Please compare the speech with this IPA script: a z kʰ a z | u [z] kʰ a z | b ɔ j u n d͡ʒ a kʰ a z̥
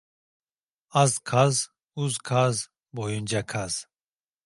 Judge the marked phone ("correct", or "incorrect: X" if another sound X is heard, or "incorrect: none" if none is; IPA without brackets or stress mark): correct